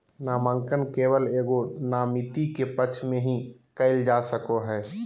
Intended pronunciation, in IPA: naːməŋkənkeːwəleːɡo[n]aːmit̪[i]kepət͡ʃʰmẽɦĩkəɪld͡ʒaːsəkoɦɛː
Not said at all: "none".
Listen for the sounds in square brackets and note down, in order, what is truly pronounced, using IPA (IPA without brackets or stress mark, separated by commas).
n, i